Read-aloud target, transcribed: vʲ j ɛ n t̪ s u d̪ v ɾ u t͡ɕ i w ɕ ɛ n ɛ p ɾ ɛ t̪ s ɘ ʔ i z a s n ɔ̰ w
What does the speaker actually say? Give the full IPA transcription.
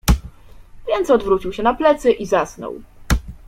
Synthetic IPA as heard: vʲ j ɛ n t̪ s ɔ d̪ v ɾ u t͡ɕ i w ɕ ɛ n a p l ɛ t̪ s ɘ ʔ i z a s n ɔ̰ w